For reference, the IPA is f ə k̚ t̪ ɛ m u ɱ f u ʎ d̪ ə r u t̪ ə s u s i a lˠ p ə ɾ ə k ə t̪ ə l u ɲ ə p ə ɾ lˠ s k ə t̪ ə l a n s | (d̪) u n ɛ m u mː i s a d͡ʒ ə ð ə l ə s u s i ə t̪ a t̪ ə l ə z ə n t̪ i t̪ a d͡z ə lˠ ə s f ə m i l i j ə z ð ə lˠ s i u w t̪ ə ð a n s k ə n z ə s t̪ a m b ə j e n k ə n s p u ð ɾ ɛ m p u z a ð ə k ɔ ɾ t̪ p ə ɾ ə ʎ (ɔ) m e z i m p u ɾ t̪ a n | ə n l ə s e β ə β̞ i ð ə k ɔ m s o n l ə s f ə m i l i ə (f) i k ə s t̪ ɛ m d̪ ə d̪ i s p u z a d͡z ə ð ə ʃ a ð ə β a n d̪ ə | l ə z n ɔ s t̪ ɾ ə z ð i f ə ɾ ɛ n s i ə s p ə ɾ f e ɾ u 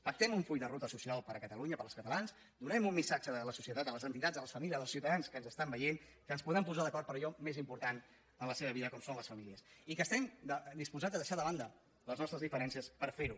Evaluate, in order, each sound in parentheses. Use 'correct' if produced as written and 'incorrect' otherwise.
correct, correct, incorrect

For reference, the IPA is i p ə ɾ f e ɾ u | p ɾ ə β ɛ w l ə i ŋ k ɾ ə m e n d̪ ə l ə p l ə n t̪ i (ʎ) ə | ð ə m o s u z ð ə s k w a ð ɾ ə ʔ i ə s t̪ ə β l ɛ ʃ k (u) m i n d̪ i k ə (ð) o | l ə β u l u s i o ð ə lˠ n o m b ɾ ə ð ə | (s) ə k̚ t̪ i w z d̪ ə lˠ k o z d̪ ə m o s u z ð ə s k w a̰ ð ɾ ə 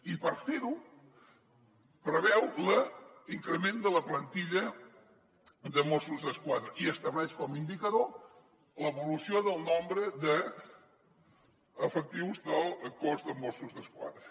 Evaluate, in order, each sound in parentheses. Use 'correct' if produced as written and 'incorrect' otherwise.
correct, incorrect, correct, incorrect

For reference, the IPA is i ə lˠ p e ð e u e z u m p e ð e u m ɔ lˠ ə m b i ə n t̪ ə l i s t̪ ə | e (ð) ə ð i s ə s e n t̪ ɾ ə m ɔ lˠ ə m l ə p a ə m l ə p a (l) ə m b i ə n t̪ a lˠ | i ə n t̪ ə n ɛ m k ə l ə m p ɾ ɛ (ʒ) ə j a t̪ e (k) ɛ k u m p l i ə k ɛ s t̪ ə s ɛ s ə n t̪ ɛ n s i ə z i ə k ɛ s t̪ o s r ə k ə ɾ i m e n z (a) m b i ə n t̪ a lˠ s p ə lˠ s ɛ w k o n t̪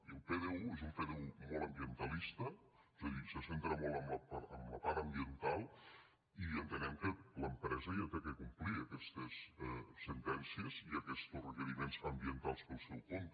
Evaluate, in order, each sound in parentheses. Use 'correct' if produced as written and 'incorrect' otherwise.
incorrect, incorrect, incorrect, correct, incorrect

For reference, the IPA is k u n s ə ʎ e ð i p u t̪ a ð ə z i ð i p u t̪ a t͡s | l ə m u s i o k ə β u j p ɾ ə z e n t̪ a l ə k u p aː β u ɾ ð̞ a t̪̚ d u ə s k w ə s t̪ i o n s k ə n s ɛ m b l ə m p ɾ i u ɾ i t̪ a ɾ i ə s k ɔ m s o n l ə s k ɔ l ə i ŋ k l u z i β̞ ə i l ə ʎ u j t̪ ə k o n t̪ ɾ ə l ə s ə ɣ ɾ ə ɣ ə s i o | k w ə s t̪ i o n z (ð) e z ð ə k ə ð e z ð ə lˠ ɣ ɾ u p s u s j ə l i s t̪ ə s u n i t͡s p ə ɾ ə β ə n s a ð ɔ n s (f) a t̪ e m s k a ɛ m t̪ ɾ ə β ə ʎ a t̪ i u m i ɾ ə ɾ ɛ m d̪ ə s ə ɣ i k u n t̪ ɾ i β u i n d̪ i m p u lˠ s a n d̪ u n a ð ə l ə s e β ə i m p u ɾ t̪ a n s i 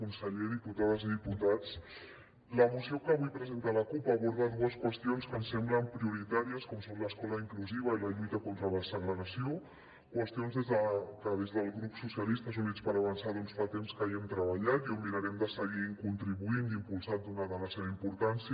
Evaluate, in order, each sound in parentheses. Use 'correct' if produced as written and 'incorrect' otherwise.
correct, correct

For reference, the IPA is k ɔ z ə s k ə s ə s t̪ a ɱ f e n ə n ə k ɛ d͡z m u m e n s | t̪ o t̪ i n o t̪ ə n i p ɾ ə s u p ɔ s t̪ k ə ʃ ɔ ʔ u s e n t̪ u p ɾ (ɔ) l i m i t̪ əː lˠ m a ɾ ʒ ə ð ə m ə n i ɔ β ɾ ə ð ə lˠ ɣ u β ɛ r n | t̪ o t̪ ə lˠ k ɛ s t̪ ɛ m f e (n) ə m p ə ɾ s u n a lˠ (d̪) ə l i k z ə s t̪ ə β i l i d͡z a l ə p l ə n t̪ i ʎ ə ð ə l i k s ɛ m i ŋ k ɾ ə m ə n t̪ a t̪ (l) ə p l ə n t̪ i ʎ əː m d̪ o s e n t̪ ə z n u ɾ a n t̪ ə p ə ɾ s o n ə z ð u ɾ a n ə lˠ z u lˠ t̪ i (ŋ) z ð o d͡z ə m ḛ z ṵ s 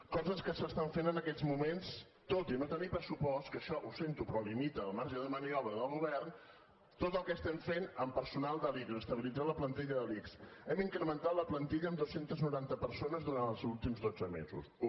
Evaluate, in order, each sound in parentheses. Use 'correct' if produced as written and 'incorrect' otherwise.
correct, correct, correct, correct, incorrect

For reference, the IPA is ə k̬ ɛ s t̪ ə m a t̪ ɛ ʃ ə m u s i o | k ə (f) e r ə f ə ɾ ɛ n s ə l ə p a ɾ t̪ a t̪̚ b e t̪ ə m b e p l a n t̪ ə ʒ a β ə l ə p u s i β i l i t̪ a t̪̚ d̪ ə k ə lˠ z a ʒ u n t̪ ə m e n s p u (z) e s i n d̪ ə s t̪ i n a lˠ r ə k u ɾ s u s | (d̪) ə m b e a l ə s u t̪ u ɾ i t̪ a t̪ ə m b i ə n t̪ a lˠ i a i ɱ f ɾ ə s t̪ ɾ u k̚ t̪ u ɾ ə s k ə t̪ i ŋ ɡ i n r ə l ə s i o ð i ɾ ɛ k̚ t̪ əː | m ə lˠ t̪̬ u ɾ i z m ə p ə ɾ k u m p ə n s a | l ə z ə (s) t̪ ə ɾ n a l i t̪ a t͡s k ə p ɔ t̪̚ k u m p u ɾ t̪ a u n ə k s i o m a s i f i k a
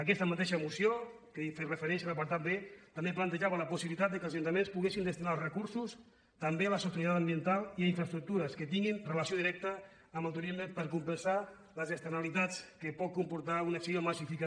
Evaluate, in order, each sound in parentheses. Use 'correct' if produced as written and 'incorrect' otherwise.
correct, incorrect, incorrect, correct

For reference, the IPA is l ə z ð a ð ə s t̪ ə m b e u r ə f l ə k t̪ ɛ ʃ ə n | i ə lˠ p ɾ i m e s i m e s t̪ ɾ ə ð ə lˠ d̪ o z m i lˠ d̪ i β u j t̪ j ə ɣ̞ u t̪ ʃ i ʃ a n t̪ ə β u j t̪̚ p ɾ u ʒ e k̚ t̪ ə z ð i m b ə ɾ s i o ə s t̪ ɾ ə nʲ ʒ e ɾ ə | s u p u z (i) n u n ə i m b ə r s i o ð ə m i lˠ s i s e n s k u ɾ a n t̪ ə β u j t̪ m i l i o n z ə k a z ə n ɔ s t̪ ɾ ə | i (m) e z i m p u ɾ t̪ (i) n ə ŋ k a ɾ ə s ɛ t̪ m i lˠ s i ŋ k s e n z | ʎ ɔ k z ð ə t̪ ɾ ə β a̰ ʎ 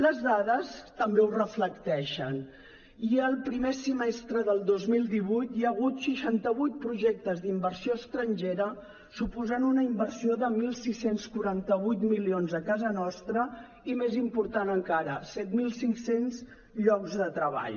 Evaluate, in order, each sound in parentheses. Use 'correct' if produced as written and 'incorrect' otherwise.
incorrect, correct, incorrect

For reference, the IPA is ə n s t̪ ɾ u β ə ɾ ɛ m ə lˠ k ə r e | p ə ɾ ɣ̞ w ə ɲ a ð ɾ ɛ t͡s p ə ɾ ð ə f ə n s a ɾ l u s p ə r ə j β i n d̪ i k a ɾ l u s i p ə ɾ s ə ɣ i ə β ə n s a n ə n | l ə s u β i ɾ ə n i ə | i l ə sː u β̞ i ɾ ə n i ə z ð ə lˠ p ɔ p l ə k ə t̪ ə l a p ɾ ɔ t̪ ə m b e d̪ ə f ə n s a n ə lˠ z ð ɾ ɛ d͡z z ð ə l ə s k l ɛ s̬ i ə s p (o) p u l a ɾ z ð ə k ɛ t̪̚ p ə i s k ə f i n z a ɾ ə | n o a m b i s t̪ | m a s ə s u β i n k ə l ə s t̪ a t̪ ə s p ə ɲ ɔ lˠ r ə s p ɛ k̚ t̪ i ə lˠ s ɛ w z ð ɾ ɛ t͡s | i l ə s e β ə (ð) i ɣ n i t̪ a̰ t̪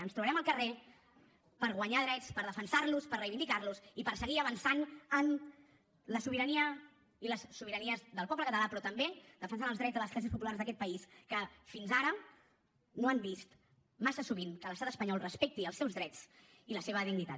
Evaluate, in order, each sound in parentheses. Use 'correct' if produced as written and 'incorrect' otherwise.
incorrect, correct

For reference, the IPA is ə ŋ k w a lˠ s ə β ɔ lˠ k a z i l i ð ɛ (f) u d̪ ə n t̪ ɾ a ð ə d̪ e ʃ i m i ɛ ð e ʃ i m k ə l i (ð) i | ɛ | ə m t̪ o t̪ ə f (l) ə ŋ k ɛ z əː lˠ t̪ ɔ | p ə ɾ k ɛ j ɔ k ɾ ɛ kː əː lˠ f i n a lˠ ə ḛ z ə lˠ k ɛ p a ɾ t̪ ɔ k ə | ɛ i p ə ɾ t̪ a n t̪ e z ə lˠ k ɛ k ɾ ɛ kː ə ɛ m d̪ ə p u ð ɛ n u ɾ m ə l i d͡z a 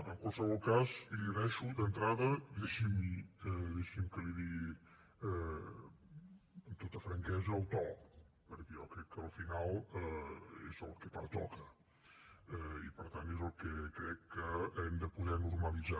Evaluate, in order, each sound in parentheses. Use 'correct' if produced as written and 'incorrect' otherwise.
incorrect, correct, incorrect

